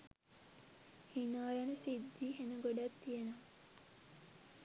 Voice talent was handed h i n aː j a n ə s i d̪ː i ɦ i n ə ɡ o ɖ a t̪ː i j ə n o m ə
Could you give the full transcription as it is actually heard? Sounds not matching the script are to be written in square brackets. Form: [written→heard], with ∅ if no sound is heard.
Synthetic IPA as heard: h i n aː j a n ə s i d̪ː i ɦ [i→e] n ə ɡ o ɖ a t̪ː i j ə n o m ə